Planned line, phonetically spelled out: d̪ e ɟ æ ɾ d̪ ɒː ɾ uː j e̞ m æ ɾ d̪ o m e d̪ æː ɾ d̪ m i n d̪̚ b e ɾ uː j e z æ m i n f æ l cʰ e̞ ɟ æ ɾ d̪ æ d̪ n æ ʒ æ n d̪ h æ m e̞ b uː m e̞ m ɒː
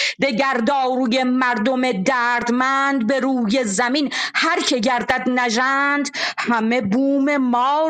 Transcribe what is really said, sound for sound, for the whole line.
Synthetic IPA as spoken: d̪ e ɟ æ ɾ d̪ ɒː ɾ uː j e̞ m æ ɾ d̪ o m e d̪ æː ɾ d̪ m æ n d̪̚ b e ɾ uː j e z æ m i n h æ ɾ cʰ e̞ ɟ æ ɾ d̪ æ d̪ n æ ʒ æ n d̪ h æ m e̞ b uː m e̞ m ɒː